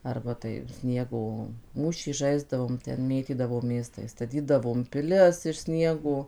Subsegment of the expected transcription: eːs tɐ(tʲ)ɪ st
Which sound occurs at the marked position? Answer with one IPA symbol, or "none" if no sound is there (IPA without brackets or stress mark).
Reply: none